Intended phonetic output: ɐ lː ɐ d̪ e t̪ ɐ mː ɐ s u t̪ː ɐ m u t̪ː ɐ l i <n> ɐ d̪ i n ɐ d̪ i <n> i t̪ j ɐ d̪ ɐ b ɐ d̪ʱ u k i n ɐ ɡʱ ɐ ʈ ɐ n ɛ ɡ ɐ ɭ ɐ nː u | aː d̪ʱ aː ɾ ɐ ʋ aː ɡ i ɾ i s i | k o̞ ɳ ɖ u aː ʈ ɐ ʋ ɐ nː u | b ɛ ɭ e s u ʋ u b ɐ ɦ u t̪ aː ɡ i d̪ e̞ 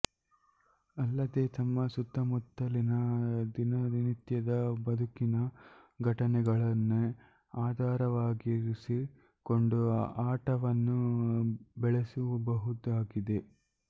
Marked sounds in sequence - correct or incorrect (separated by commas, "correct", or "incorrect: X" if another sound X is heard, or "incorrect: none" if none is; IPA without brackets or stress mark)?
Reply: correct, correct